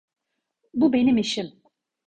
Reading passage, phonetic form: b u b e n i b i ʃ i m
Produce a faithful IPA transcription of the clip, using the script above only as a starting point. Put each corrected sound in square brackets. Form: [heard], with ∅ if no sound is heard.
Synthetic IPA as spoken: b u b e n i [m] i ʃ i m